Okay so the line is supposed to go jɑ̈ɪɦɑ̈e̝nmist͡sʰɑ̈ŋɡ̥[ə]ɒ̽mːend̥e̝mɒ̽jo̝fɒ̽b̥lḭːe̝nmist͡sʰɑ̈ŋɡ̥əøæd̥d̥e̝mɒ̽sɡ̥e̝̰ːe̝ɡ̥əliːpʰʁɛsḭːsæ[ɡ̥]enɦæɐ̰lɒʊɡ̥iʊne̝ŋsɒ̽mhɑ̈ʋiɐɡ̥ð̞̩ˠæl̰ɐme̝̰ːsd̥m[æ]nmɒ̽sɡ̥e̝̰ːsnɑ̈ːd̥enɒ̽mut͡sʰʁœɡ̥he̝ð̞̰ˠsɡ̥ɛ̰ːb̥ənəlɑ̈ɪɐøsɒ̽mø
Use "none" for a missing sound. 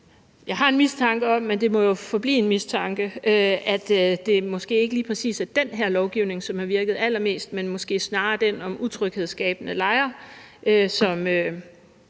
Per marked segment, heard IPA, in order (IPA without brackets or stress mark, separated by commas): ə, d̥, e